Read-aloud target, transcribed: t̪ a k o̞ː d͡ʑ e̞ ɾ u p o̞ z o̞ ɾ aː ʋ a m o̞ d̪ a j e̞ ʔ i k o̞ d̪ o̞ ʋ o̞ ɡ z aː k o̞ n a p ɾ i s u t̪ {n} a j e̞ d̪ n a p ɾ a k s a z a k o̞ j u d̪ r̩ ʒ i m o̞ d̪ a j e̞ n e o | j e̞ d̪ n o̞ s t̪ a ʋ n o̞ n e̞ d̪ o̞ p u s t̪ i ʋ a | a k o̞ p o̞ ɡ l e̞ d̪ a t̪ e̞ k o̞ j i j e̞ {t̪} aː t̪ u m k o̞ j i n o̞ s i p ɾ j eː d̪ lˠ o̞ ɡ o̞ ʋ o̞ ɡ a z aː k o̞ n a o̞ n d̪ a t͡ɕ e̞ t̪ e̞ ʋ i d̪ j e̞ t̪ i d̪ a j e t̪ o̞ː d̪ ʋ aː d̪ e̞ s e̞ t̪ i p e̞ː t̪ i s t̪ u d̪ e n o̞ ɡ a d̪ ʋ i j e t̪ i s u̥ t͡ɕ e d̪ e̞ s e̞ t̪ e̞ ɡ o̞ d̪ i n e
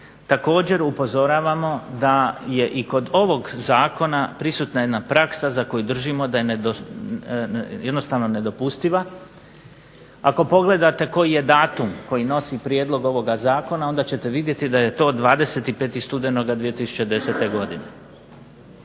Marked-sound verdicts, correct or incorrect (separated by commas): correct, incorrect